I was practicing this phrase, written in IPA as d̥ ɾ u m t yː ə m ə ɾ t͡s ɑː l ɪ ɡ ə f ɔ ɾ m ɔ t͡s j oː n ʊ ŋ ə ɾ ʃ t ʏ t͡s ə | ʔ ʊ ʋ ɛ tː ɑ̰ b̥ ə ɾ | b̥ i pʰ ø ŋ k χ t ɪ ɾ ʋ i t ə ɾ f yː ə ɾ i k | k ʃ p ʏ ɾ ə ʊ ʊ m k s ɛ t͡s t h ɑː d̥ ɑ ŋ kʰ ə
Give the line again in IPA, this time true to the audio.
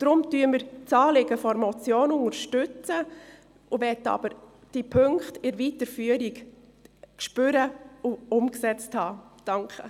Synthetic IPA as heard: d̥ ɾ ʊ m t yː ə m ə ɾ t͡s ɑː l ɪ ɡ ə f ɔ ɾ m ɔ t͡s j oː n ʊ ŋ ə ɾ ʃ t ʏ t͡s ə | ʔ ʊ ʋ ɛ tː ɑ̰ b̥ ə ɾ | d̥ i pʰ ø ŋ k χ t ɪ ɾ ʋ i t ə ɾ f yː ə ɾ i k | k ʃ p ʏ ɾ ə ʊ ʊ m k s ɛ t͡s t h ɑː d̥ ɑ ŋ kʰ ə